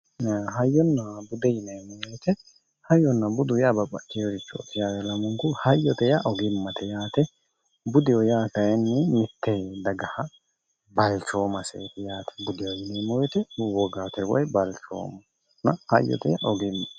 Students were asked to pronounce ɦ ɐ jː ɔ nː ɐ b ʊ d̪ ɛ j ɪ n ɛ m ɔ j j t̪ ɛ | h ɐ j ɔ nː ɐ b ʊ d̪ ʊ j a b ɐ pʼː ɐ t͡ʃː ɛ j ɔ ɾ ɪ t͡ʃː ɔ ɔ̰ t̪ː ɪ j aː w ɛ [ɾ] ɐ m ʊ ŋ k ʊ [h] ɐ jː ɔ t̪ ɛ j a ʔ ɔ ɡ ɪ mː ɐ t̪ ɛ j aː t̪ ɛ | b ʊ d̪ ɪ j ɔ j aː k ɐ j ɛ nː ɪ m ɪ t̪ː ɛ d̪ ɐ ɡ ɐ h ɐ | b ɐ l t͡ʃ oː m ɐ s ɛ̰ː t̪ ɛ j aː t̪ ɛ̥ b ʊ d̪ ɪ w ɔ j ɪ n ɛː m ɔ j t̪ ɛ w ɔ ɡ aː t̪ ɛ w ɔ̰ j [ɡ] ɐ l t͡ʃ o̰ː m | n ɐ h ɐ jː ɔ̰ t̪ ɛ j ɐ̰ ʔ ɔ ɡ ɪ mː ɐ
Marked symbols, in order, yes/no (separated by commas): no, yes, no